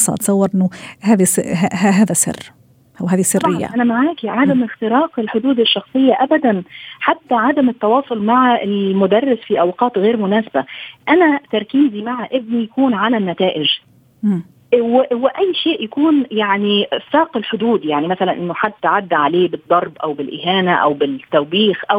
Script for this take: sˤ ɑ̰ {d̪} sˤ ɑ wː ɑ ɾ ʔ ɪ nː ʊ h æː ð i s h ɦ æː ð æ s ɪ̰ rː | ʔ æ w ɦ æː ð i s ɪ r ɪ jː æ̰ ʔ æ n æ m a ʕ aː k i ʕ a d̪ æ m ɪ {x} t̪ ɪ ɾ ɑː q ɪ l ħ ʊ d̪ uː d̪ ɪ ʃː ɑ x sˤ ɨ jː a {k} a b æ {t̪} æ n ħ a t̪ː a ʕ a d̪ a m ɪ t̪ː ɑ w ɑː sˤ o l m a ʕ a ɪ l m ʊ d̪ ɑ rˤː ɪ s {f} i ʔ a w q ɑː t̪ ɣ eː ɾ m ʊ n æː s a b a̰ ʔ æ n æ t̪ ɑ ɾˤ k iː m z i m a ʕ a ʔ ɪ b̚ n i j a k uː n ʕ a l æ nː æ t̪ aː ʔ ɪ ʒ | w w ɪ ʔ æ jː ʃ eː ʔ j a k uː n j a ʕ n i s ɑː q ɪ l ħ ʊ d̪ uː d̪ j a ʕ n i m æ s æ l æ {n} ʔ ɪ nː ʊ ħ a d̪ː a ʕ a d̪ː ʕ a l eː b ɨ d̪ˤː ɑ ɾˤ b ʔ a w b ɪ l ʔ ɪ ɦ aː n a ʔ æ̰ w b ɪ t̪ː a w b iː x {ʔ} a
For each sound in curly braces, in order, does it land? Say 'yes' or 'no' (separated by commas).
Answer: no, yes, no, no, yes, yes, yes